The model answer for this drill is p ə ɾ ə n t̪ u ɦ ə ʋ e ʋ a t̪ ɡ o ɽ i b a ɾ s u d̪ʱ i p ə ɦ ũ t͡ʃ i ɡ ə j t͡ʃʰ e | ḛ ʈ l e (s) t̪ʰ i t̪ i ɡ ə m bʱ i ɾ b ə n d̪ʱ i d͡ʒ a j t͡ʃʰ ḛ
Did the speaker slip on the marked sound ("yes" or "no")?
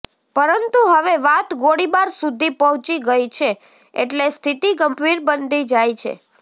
no